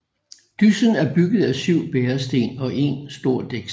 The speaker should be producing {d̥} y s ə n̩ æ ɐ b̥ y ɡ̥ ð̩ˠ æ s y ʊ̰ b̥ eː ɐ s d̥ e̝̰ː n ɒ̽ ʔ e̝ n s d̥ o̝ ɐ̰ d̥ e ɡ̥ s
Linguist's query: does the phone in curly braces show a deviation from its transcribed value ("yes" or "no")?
no